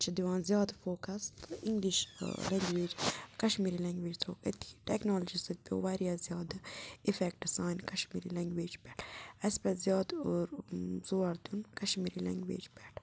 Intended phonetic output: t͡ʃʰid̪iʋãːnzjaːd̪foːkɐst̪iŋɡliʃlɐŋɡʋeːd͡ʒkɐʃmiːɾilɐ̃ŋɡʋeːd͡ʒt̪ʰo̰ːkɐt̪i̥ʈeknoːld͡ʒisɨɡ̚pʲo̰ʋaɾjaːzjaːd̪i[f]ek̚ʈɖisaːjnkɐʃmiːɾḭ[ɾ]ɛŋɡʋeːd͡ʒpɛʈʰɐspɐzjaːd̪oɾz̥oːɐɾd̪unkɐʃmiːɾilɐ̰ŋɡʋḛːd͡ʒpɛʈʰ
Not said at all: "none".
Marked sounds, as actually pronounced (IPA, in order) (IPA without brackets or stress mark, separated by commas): f, l